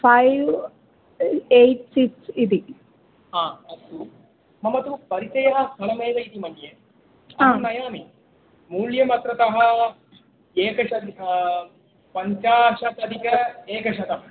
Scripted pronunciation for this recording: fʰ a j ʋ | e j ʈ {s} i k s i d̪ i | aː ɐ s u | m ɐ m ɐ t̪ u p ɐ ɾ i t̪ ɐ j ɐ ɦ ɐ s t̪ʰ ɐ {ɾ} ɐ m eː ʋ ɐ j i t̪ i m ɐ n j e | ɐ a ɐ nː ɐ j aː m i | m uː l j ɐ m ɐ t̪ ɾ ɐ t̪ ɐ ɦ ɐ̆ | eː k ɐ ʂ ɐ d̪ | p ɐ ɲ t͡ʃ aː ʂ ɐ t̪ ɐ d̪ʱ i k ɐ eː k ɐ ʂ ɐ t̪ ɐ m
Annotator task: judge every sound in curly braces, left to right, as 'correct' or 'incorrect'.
correct, incorrect: l

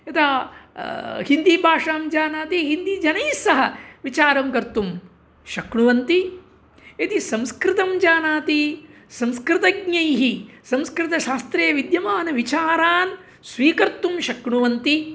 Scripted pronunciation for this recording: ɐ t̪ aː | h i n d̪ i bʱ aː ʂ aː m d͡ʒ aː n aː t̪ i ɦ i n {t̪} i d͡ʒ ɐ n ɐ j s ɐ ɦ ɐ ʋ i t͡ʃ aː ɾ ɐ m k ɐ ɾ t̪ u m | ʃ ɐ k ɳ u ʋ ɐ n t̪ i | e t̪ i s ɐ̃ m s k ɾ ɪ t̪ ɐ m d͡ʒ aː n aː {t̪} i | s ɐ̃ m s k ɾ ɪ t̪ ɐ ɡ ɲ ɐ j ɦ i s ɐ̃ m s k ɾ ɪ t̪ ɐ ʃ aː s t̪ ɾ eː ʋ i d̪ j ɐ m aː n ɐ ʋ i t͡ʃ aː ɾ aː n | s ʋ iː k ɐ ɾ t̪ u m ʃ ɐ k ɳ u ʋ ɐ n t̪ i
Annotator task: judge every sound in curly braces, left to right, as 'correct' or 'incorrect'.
incorrect: d̪, correct

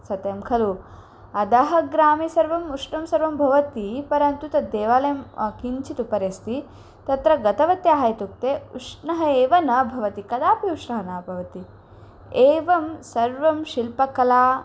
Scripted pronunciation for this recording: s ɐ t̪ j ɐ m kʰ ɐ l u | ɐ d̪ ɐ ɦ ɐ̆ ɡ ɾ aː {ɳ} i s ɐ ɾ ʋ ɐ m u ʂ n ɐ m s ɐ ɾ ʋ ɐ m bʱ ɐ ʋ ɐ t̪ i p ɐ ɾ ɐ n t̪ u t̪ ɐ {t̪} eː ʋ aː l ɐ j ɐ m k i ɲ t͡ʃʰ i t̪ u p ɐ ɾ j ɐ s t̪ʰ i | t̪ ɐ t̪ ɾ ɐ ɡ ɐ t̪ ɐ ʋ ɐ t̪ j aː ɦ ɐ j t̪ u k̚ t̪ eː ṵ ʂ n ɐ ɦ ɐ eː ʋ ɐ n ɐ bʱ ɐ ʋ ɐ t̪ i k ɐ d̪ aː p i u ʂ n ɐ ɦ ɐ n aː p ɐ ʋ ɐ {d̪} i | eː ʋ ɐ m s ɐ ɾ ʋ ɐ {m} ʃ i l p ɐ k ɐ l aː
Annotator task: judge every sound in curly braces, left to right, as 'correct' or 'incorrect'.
incorrect: m, incorrect: d̪, incorrect: t̪, correct

